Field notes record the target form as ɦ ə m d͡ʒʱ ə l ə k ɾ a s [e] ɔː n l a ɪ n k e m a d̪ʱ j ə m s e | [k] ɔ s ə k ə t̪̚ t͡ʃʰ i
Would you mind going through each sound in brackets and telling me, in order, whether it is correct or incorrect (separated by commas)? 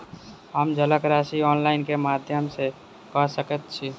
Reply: incorrect, correct